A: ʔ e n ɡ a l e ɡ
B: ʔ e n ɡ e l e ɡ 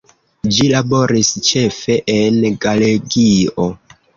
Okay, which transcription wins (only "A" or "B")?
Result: A